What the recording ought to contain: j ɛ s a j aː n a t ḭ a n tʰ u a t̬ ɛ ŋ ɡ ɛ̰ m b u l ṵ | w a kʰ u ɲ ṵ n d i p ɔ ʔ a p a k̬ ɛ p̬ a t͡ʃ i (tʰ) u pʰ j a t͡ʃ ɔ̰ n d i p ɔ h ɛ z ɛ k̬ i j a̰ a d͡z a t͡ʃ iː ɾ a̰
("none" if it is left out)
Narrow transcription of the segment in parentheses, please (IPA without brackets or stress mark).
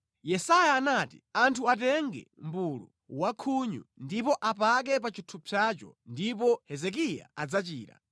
tʰ